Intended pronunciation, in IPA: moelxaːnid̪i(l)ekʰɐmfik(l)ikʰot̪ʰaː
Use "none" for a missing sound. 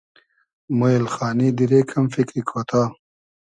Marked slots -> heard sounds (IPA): ɾ, ɾ

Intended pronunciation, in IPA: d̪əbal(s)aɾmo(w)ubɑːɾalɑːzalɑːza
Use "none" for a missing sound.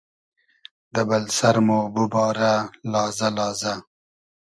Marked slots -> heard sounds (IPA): s, b

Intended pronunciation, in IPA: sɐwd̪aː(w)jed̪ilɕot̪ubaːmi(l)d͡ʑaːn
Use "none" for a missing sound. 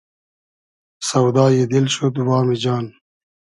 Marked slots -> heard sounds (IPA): none, none

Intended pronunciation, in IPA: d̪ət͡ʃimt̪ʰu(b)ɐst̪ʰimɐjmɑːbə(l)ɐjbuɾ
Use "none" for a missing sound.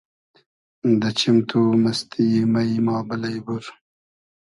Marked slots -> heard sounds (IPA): m, l

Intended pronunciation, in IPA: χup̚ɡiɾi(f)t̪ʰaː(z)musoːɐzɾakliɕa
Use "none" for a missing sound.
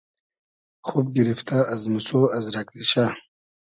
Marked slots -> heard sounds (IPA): f, z

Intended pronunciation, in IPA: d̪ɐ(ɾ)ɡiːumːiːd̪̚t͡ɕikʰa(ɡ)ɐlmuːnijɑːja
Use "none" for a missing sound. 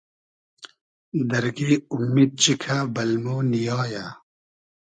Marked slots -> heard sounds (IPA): ɾ, b

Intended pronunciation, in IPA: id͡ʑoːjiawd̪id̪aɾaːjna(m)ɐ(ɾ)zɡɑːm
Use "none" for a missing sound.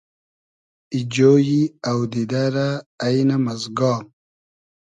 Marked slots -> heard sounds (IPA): m, none

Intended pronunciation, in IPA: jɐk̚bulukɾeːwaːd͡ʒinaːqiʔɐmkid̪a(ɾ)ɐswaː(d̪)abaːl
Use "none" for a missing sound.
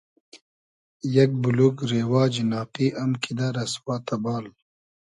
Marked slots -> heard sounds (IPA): ɾ, t̪

